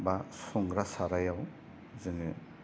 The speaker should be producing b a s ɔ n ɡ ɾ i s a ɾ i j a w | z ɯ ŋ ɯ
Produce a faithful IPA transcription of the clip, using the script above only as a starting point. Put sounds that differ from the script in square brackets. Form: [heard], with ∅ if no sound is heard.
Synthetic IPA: b a s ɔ [ŋ] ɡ ɾ [a] s a ɾ [a] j a w | z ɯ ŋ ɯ